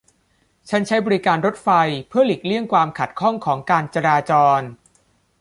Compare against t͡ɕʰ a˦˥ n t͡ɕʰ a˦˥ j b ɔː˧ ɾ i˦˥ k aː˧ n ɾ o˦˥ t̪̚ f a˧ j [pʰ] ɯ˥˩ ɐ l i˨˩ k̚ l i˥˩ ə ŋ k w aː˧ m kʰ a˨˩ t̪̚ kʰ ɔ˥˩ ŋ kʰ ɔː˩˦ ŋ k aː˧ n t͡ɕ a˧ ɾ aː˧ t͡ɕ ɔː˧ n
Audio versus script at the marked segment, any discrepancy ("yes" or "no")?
no